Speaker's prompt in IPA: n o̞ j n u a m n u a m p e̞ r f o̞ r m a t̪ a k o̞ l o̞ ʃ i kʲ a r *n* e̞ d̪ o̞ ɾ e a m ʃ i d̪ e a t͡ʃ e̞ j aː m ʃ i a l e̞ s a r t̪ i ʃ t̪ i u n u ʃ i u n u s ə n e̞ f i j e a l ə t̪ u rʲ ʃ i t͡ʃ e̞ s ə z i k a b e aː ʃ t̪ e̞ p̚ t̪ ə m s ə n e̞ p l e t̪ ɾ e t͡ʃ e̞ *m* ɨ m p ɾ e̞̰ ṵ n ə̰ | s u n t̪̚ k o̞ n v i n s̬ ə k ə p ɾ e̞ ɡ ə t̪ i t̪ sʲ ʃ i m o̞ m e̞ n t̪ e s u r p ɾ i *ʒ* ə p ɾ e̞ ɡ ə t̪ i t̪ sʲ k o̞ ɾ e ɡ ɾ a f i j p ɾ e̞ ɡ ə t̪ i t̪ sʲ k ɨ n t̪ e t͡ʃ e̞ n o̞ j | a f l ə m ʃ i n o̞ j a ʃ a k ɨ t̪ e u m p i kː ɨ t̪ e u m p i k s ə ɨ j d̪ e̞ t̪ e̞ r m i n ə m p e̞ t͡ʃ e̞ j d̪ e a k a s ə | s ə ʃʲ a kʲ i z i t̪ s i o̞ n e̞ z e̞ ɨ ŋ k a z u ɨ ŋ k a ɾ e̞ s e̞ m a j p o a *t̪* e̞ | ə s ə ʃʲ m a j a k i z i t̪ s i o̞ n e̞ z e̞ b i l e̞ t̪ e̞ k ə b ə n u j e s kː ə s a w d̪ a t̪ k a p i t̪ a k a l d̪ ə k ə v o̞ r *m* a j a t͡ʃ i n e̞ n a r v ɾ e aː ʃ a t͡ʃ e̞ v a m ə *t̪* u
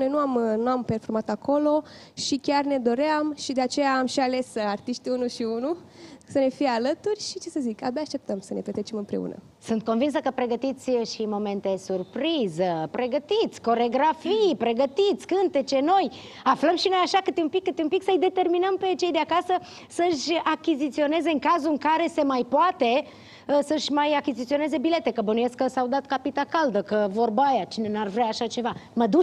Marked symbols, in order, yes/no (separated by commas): yes, yes, no, yes, no, no